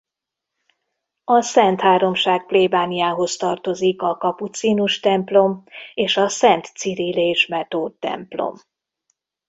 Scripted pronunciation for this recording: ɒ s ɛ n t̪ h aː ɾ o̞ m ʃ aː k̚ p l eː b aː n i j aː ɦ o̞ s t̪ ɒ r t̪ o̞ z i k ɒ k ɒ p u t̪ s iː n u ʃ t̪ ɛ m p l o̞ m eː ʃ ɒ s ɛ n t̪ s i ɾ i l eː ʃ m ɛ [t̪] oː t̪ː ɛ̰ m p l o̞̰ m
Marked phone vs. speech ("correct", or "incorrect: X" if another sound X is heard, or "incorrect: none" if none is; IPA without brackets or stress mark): correct